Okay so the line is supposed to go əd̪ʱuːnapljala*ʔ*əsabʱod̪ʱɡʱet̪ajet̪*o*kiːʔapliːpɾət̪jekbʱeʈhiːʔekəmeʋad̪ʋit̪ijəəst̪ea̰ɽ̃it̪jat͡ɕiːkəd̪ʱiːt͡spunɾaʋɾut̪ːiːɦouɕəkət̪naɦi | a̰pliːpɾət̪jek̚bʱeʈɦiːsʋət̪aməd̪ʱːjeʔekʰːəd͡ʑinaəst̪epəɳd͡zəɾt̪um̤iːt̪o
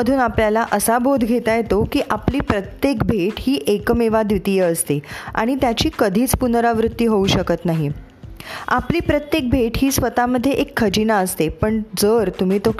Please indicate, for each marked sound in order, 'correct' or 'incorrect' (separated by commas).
correct, correct